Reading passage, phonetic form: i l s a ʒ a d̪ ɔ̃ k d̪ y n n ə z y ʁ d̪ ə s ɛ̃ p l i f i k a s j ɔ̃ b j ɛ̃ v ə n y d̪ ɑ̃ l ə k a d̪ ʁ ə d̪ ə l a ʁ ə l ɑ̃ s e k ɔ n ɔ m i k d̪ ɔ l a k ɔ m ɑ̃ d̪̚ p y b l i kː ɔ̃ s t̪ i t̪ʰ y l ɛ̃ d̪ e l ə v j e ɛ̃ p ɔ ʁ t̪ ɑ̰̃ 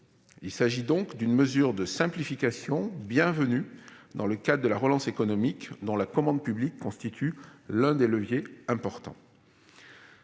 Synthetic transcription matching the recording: i l s a ʒ i d̪ ɔ̃ k d̪ y n m ə z y ʁ d̪ ə s ɛ̃ p l i f i k a s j ɔ̃ b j ɛ̃ v ə n y d̪ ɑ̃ l ə k a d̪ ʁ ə d̪ ə l a ʁ ə l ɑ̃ s e k ɔ n ɔ m i k d̪ ɔ̃ l a k ɔ m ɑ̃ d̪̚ p y b l i kː ɔ̃ s t̪ i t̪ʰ y l ɛ̃ d̪ e l ə v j e ɛ̃ p ɔ ʁ t̪ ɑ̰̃